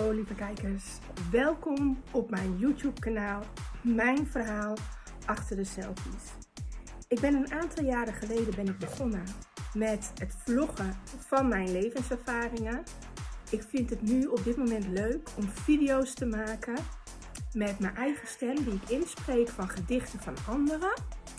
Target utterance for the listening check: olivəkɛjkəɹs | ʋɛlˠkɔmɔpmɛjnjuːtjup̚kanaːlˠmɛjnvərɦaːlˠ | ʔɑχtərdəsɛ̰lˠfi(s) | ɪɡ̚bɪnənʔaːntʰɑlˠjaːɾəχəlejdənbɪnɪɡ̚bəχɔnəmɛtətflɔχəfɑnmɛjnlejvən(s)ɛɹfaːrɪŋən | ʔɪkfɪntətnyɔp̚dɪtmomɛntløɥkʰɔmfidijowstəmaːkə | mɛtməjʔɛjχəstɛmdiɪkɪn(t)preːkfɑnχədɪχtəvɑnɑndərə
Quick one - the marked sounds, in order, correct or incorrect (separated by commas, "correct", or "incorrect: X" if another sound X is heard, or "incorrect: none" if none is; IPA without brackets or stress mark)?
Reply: correct, correct, incorrect: s